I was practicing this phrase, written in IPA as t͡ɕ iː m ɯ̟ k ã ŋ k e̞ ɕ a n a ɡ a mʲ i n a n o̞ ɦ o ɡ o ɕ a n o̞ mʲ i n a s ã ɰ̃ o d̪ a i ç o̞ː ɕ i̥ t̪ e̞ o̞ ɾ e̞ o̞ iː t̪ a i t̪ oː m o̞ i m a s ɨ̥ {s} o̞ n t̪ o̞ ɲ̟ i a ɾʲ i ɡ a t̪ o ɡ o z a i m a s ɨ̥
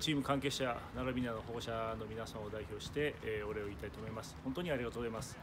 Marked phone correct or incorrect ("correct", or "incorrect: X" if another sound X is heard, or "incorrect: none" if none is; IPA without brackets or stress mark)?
incorrect: h